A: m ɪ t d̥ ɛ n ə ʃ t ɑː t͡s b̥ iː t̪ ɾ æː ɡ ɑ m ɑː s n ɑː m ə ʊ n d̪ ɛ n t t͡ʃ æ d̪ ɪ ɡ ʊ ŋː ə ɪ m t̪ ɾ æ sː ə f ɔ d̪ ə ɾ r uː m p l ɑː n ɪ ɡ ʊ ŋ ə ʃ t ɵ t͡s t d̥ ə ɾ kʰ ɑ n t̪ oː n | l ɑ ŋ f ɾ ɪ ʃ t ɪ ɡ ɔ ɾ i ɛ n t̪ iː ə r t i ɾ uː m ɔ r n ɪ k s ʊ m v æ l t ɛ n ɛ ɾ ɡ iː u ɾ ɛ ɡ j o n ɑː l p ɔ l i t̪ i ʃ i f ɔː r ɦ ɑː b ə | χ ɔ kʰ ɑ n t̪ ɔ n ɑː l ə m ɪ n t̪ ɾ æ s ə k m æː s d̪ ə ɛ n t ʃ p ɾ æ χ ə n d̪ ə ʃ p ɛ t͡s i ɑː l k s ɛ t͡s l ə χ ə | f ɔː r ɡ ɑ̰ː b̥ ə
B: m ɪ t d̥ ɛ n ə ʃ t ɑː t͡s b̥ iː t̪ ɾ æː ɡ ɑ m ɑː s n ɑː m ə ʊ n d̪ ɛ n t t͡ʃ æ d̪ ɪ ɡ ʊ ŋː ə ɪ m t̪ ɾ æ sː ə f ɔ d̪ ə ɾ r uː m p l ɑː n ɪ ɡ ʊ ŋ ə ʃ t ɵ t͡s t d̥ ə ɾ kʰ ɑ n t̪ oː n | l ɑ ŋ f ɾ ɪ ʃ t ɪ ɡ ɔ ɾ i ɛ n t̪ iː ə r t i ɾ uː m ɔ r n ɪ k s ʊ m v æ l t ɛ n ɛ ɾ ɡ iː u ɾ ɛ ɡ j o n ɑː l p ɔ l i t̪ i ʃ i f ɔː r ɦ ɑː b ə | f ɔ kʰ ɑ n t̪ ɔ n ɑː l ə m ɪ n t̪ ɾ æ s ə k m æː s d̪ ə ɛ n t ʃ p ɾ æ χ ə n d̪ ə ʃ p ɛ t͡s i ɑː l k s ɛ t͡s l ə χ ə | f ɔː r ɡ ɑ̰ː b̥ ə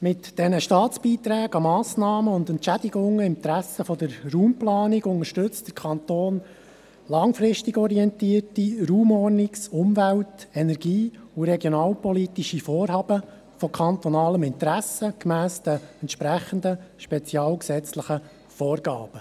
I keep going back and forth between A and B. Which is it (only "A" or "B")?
B